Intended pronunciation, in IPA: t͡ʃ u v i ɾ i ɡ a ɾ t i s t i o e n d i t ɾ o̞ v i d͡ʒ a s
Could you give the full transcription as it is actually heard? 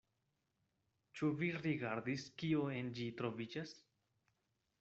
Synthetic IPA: t͡ʃ u v i ɾ i ɡ a ɾ d i s k i o e n d͡ʒ i t ɾ o̞ v i d͡ʒ a s